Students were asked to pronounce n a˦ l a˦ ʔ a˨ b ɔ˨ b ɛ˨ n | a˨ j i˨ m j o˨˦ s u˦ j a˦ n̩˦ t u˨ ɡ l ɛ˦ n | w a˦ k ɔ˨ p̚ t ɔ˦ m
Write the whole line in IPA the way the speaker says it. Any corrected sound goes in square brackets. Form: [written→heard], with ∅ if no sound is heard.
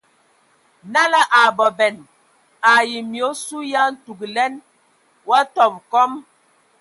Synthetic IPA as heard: n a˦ l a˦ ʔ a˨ b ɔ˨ b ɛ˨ n | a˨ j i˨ m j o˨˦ s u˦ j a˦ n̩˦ t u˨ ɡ l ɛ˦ n | w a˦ [k→t] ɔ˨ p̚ [t→k] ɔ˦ m